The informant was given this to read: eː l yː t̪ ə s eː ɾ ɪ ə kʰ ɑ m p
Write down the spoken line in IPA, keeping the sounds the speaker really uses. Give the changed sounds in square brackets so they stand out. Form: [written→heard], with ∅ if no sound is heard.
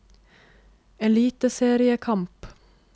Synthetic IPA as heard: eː l [yː→iː] t̪ ə s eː ɾ ɪ ə kʰ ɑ m p